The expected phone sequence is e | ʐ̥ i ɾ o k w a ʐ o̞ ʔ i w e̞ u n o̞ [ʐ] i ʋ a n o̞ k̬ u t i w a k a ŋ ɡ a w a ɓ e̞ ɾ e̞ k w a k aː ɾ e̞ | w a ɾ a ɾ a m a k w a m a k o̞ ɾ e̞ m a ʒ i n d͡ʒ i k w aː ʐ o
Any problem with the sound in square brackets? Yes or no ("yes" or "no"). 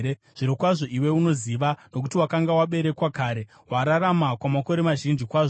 yes